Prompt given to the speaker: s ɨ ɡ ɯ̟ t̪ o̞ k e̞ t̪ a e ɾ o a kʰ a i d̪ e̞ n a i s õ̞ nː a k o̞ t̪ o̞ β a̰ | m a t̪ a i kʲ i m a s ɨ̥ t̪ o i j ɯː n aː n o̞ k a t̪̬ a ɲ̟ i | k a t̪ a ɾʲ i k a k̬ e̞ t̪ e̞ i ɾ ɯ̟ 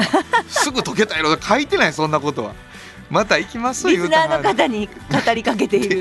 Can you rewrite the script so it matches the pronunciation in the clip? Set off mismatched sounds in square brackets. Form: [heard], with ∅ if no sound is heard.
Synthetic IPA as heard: s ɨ ɡ ɯ̟ t̪ o̞ k e̞ t̪ a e ɾ o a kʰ a i [t̪] e̞ n a i s õ̞ nː a k o̞ t̪ o̞ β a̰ | m a t̪ a i kʲ i m a s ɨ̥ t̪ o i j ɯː n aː n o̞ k a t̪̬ a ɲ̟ i | k a t̪ a ɾʲ i k a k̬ e̞ t̪ e̞ i ɾ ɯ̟